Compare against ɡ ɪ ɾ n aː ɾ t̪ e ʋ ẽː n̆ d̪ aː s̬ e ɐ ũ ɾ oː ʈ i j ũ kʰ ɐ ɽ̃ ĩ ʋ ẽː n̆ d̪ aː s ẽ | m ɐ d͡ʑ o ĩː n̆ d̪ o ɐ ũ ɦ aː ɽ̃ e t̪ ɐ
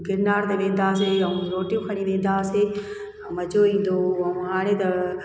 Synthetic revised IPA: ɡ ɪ ɾ n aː ɾ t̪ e ʋ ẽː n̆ d̪ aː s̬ e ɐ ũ ɾ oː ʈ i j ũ kʰ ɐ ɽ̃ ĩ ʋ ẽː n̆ d̪ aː s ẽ | m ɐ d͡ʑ o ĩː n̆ d̪ o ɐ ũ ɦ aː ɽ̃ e t̪ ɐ